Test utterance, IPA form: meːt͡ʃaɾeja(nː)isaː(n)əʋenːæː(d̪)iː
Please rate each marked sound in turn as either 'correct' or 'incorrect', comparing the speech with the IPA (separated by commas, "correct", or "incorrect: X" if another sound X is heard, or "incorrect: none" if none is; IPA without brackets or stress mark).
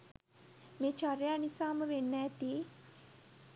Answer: incorrect: n, incorrect: m, incorrect: t̪